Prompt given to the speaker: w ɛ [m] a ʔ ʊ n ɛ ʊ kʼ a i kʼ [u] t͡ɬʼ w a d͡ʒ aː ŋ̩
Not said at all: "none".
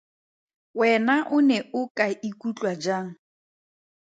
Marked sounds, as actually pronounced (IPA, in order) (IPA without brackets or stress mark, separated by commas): n, u